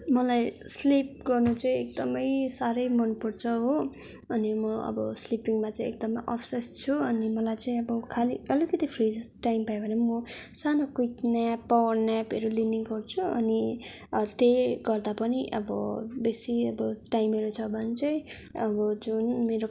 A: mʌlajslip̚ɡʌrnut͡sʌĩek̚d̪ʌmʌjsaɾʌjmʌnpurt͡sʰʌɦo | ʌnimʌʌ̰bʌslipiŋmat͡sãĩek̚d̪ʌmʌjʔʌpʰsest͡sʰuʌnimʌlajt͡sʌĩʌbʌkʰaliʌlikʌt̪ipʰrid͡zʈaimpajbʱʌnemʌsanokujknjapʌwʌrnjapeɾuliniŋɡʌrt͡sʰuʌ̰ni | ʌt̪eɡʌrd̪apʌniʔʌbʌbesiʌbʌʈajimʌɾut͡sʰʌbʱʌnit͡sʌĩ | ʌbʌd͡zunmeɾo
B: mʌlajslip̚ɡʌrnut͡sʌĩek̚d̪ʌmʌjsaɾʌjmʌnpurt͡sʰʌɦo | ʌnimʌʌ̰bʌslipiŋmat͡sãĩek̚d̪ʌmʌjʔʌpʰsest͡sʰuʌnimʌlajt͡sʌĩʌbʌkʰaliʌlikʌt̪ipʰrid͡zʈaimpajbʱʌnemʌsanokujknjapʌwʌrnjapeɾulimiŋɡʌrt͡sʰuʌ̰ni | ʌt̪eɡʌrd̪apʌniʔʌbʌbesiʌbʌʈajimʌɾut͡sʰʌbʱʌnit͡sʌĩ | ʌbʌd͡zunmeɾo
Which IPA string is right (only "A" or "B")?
A